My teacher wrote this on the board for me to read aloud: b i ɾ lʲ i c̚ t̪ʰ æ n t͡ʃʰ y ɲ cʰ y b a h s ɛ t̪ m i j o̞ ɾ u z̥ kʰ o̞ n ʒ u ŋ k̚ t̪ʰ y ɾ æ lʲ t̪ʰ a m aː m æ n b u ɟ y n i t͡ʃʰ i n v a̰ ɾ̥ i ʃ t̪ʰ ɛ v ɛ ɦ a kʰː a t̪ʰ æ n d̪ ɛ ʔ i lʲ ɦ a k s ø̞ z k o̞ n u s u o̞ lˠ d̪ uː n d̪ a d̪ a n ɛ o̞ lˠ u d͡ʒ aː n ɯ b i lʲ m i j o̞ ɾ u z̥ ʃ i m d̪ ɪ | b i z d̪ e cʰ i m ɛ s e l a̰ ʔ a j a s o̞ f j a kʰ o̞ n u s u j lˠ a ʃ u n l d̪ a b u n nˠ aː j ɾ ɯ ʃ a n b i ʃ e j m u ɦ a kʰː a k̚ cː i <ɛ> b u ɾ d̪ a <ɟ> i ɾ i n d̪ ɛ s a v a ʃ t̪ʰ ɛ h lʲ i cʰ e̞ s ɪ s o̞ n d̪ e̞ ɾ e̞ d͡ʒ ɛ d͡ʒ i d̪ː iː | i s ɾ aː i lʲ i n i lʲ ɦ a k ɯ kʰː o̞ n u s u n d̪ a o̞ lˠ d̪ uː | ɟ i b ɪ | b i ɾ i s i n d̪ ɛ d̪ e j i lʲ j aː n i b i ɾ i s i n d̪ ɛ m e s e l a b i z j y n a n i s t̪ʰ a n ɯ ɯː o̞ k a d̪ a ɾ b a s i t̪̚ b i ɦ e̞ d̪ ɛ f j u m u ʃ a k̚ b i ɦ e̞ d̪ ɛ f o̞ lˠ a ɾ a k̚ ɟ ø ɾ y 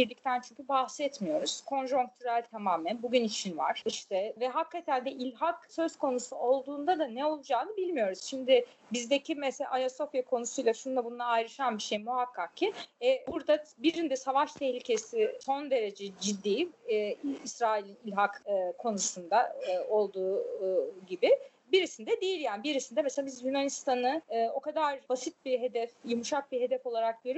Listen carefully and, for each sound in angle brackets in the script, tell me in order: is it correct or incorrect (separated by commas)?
correct, incorrect